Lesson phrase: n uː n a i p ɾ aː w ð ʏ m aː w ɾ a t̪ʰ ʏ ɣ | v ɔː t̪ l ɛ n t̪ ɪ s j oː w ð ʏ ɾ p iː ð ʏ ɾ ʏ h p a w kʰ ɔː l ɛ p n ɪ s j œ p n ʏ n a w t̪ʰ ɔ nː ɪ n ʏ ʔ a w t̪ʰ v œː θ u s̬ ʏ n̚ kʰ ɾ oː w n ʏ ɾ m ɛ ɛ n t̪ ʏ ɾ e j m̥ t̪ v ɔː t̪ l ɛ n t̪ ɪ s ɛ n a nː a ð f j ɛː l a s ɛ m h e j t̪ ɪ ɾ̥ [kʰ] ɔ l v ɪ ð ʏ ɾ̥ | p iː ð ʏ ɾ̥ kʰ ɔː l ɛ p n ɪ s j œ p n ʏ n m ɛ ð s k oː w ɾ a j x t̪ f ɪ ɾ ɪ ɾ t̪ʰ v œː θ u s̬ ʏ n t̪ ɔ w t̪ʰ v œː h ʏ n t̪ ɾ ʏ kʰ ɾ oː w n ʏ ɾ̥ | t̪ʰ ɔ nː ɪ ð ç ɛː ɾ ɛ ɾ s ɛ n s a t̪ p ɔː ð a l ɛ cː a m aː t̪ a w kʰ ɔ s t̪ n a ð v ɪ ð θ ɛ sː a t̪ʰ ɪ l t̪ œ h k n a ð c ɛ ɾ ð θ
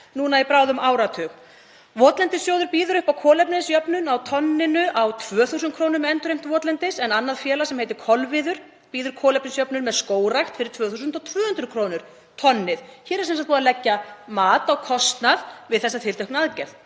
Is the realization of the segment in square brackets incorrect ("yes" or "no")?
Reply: no